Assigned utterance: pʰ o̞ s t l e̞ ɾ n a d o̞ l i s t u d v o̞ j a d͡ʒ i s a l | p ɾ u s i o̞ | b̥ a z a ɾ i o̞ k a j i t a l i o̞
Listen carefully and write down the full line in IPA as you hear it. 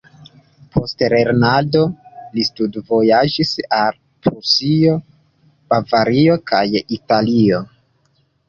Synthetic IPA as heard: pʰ o̞ s t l e̞ ɾ n a d o̞ l i s t u d v o̞ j a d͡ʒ i s a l | p ɾ u s i o̞ | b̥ a v a ɾ i o̞ k a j i t a l i o̞